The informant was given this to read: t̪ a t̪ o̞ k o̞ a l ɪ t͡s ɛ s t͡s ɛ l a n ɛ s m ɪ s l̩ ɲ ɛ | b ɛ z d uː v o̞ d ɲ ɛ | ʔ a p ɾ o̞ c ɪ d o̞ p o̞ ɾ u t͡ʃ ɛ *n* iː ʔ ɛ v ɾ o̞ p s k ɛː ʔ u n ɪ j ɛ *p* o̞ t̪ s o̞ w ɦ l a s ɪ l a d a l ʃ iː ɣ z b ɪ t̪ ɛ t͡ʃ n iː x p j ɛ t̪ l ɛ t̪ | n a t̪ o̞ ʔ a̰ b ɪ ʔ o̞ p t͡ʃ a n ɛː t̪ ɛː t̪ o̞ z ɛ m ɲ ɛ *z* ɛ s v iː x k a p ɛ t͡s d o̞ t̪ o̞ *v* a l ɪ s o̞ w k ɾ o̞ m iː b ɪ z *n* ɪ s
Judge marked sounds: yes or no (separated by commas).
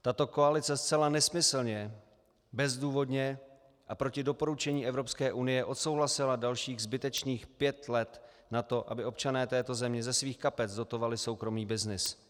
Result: no, no, yes, yes, yes